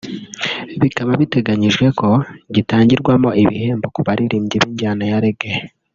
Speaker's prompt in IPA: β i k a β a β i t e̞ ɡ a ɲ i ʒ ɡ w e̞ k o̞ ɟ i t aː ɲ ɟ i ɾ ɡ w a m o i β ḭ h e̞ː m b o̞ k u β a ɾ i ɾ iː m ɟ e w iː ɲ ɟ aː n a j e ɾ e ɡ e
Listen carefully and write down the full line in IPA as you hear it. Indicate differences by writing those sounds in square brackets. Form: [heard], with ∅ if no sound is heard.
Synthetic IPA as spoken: β i k a β a β i t e̞ ɡ a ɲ i ʒ ɡ w e̞ k o̞ ɟ i t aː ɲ ɟ i ɾ ɡ w a m o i β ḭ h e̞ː m b o̞ k u β a ɾ i ɾ iː m ɟ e [β] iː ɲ ɟ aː n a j [a] ɾ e ɡ e